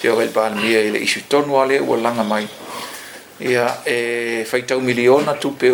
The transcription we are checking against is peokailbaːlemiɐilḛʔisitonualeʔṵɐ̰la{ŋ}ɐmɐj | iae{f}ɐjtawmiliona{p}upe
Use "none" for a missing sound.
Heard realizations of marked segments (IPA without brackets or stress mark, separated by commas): ŋ, f, t